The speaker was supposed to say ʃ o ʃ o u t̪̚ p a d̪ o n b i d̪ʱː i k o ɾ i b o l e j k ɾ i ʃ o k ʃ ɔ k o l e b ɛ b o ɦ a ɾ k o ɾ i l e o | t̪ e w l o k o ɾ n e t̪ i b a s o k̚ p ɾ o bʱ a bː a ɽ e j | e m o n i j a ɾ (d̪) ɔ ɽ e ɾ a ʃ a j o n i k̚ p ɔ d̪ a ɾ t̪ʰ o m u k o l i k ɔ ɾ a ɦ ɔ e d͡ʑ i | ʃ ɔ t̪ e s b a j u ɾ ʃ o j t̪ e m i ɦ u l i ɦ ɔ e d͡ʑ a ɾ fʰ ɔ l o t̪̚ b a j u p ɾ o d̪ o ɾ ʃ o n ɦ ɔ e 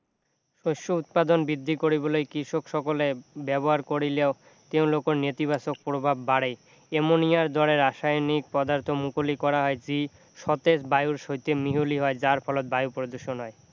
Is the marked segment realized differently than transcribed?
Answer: no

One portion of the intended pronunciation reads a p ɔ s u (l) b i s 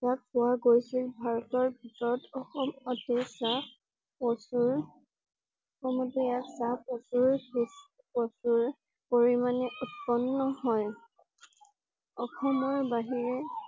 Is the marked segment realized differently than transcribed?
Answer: yes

